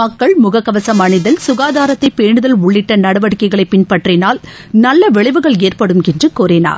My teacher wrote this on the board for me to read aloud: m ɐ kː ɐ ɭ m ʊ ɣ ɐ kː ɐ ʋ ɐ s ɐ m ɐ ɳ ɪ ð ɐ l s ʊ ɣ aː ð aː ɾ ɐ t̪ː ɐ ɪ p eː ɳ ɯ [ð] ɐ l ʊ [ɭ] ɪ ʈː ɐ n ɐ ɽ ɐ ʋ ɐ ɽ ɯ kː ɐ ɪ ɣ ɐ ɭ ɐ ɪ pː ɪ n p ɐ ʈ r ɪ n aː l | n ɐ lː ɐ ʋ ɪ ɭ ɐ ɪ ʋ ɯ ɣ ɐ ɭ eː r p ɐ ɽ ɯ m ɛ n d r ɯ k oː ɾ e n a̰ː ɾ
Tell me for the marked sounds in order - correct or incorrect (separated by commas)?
correct, incorrect